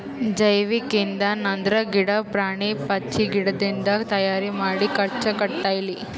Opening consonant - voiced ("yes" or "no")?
yes